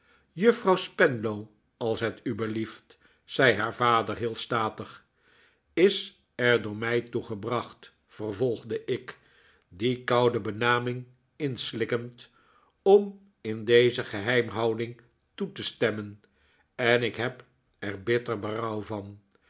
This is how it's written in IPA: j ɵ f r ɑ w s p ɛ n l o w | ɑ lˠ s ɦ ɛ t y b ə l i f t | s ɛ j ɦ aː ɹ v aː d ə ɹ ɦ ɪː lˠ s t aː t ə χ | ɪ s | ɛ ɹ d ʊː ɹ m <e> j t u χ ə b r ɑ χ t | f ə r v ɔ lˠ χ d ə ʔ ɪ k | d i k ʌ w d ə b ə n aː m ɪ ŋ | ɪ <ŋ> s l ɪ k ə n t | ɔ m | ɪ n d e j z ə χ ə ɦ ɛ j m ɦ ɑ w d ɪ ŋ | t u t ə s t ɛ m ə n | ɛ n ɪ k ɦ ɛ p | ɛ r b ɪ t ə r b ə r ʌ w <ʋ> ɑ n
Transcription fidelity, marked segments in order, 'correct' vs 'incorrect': incorrect, incorrect, incorrect

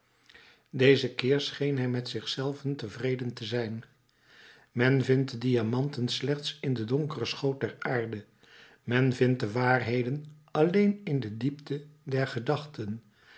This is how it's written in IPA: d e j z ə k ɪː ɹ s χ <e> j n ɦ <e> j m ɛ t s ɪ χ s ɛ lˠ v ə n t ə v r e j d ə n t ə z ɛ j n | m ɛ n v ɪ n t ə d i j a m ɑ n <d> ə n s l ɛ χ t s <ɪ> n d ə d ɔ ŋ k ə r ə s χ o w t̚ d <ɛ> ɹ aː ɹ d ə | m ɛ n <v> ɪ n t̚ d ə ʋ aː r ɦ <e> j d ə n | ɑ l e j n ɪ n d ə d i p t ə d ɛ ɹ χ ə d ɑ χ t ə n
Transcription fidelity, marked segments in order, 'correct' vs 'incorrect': correct, incorrect, incorrect, correct, correct, correct, correct

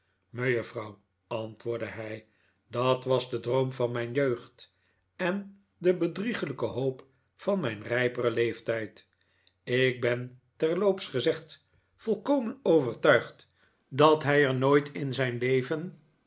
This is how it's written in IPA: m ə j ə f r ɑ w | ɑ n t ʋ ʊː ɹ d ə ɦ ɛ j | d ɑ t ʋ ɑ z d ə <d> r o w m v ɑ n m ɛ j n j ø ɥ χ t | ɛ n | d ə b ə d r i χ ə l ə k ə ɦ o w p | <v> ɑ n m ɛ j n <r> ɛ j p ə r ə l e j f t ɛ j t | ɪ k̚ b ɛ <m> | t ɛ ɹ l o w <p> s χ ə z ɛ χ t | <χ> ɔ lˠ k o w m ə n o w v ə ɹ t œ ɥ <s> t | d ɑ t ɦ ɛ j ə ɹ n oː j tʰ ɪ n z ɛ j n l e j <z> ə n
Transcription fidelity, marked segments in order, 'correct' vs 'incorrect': correct, incorrect, correct, incorrect, correct, incorrect, incorrect, incorrect

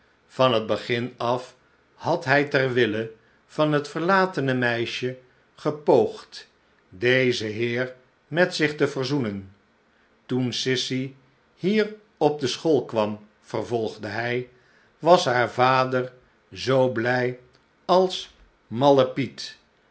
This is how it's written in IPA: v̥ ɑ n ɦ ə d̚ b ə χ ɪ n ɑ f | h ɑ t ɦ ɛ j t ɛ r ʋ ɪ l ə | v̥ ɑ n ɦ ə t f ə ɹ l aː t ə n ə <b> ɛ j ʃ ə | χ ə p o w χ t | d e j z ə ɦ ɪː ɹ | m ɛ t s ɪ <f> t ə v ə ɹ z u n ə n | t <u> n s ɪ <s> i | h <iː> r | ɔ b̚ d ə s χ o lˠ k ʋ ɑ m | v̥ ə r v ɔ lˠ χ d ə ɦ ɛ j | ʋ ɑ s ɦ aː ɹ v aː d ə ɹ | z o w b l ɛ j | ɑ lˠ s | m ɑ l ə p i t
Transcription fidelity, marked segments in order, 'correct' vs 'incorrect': incorrect, incorrect, correct, correct, correct

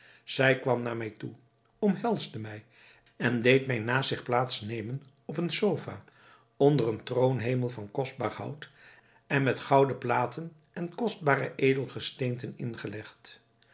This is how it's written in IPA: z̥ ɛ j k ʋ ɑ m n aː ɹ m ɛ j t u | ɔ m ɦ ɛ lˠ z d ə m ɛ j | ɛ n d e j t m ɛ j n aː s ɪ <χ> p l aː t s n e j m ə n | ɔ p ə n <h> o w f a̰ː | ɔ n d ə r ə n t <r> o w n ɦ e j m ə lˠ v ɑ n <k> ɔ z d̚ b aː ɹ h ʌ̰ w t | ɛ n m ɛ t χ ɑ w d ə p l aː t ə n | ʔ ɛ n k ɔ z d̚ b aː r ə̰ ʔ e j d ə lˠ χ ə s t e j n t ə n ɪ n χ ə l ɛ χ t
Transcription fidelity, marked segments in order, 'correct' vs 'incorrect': correct, incorrect, correct, correct

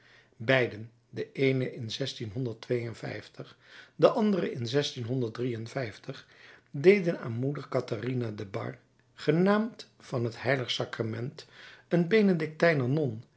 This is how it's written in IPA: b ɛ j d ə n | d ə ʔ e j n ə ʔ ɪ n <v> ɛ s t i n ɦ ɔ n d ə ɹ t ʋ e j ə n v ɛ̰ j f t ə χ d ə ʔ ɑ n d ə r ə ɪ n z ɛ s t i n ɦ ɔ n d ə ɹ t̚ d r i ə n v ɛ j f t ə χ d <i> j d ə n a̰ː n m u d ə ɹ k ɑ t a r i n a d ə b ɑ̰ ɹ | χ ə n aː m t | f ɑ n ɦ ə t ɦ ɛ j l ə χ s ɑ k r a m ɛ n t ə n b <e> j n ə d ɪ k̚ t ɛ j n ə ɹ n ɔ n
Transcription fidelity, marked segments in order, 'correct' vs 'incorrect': incorrect, incorrect, correct

